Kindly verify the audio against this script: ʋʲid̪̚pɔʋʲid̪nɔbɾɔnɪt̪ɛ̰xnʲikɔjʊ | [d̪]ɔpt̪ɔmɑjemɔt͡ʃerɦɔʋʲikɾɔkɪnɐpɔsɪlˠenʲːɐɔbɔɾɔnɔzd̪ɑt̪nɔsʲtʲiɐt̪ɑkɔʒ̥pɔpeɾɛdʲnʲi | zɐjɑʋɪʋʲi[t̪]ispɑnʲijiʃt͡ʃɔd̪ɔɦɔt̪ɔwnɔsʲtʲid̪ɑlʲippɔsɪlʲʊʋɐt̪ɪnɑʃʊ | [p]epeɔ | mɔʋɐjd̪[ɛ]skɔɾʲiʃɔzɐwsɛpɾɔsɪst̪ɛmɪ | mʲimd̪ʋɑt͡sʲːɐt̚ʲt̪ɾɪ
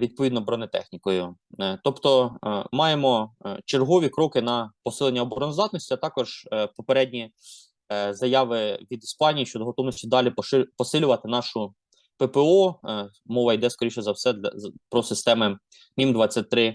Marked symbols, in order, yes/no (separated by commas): no, no, yes, yes